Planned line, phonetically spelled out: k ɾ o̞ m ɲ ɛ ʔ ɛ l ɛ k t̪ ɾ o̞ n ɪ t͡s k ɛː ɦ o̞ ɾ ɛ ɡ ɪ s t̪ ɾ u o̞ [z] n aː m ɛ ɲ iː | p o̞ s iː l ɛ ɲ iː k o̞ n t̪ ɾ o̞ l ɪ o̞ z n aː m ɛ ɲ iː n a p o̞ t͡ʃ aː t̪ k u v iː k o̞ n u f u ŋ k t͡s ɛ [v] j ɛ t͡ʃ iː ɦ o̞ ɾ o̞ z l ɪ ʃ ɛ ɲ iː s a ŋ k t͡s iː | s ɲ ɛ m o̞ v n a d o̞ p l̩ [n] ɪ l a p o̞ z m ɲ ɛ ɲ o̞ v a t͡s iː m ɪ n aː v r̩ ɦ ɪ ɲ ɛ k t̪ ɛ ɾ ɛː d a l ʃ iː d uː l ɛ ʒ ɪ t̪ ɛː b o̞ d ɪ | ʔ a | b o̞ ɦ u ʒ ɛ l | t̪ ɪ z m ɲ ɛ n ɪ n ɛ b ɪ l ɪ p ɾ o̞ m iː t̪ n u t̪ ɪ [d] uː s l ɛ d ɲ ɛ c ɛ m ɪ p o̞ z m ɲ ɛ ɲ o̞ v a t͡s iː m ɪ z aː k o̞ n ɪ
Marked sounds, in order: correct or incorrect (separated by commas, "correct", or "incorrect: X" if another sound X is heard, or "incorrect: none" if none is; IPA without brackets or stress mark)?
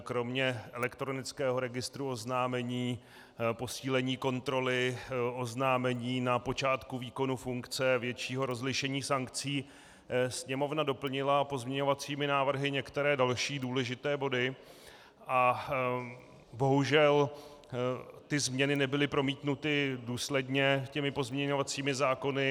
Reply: correct, correct, incorrect: ɲ, correct